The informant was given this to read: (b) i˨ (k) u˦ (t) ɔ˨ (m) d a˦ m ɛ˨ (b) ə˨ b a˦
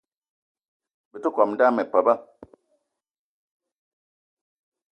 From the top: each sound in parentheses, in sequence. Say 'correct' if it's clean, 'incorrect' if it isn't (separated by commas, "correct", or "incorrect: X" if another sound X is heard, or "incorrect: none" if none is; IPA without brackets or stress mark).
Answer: correct, incorrect: t, incorrect: k, correct, incorrect: p